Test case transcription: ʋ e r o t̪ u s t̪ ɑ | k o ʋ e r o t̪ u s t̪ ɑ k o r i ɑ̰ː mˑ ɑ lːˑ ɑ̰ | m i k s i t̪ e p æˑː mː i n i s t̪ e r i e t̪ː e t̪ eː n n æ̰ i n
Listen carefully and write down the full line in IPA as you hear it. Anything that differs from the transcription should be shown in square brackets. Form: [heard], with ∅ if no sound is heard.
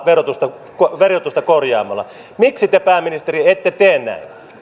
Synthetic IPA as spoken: ʋ e r o t̪ u s t̪ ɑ | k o ʋ e r o t̪ u s t̪ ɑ k o r [j] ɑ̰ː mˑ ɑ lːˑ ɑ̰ | m i k s i t̪ e p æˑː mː i n i s t̪ e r i e t̪ː e t̪ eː n n æ̰ i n